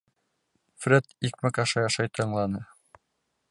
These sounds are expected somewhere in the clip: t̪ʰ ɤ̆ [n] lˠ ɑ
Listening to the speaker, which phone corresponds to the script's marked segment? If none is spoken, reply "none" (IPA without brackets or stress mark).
ɴ